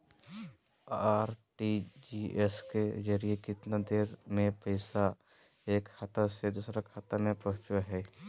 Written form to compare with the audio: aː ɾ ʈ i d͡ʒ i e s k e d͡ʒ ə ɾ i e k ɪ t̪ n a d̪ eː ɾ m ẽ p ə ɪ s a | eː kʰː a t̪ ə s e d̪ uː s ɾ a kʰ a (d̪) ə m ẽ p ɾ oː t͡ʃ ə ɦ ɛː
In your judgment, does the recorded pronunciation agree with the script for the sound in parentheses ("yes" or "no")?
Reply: no